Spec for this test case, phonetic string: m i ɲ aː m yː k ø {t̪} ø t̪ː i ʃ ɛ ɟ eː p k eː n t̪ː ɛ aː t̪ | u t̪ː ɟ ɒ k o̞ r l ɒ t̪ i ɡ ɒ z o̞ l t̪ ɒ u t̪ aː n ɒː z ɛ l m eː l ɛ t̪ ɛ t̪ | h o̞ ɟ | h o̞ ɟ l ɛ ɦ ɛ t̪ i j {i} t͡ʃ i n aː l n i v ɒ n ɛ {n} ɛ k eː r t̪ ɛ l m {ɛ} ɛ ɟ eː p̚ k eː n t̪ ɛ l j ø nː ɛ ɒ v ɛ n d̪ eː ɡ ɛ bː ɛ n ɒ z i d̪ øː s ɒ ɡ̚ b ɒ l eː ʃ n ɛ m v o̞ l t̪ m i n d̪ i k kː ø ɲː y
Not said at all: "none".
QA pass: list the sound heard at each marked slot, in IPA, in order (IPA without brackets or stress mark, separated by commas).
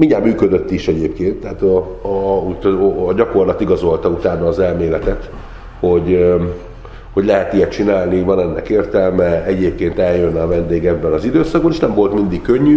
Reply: d̪, ɛ, nː, ɛ